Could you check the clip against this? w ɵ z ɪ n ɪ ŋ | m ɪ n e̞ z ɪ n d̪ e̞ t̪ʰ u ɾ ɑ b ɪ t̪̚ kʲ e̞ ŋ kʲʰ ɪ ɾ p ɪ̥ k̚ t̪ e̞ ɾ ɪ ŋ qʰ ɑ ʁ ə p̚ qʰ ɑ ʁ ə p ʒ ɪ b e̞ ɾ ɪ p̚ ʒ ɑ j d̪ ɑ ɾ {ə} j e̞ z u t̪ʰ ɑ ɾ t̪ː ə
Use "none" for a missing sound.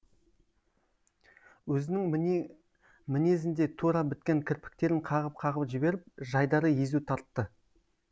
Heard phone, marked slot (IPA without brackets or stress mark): ə